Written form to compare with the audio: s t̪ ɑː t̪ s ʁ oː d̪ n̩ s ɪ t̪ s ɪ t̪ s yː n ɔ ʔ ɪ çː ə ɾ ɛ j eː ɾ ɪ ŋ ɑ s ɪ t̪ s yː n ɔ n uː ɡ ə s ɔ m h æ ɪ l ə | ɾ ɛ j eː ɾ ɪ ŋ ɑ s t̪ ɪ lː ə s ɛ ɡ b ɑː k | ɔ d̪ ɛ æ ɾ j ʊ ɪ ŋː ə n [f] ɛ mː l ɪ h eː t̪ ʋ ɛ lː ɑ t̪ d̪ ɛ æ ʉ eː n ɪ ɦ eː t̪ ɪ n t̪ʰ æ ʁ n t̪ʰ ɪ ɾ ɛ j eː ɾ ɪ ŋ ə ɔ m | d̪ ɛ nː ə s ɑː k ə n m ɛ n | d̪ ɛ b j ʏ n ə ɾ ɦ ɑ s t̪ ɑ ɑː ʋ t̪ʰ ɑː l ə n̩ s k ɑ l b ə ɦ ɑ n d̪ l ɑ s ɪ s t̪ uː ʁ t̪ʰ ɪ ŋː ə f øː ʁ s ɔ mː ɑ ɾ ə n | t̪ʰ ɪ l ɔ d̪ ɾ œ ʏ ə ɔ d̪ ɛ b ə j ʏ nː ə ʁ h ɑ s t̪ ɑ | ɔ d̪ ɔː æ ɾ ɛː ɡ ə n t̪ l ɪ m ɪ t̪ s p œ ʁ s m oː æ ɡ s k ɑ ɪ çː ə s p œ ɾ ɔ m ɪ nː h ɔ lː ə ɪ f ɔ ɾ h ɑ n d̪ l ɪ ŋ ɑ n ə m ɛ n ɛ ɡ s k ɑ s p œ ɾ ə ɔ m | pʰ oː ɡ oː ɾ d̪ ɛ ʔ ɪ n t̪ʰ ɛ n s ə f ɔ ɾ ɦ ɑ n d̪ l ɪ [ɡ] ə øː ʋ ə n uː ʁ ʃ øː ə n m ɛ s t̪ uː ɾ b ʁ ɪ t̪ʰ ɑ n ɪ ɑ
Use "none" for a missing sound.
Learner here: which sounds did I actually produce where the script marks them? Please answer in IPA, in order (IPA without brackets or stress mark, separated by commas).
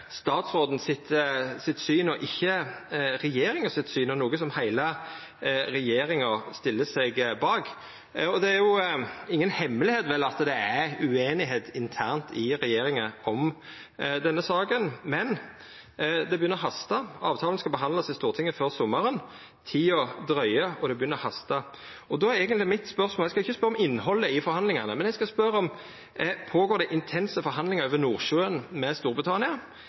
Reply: h, ŋ